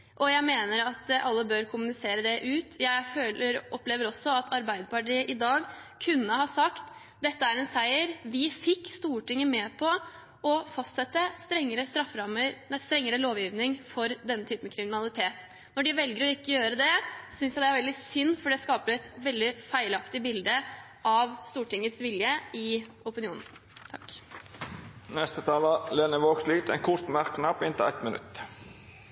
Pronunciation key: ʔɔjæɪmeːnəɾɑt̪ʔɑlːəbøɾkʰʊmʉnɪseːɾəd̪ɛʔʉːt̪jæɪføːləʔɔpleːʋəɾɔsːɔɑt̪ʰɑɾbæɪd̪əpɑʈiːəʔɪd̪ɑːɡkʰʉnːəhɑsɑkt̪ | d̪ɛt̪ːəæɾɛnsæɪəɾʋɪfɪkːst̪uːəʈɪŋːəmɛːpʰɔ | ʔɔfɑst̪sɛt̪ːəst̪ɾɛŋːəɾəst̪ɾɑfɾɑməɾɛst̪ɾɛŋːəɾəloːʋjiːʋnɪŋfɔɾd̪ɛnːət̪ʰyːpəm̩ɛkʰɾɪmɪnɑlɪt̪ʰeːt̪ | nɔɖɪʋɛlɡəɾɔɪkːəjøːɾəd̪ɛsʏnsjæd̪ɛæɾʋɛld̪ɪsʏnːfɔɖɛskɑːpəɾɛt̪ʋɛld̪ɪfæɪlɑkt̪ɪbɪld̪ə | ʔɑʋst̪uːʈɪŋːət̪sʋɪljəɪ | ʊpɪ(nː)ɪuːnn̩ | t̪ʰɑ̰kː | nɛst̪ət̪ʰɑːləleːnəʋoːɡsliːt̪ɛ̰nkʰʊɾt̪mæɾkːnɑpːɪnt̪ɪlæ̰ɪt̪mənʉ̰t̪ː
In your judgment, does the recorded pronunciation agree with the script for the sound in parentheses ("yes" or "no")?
no